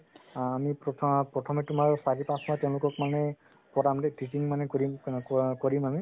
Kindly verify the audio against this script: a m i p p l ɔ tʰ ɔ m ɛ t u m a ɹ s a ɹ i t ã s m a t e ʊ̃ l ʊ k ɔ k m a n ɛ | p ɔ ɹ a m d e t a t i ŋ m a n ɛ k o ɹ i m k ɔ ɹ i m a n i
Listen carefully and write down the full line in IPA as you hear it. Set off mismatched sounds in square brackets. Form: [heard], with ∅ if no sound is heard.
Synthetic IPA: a m i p p [ɹ] ɔ tʰ ɔ m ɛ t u m a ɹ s a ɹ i [p] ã s m a t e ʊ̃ l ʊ k ɔ k m a n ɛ | p ɔ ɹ a m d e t [i] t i ŋ m a n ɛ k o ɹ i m k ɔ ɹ i m a [m] i